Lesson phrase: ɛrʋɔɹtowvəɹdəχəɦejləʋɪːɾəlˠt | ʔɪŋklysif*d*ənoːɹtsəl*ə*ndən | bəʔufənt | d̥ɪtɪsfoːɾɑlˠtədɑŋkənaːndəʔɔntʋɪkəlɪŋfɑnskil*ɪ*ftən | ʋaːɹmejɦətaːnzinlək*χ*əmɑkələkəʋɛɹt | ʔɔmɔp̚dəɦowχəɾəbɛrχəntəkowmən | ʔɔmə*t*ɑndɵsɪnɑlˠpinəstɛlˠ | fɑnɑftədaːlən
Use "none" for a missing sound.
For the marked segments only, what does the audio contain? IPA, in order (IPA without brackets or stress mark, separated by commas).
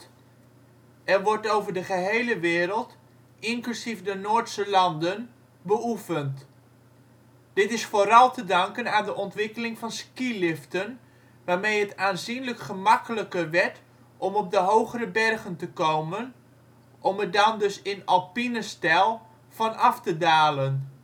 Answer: d, ɑ, ɪ, χ, d